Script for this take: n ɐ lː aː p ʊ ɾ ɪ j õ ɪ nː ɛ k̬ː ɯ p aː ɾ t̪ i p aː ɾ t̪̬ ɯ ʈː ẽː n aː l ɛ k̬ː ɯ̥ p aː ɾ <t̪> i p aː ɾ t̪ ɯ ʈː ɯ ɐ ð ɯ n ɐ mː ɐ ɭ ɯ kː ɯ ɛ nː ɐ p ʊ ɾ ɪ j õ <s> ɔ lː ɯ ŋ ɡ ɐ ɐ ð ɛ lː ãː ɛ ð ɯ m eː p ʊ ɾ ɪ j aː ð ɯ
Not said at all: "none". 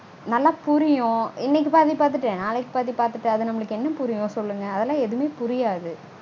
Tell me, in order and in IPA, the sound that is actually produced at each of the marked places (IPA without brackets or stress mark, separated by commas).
t̪, s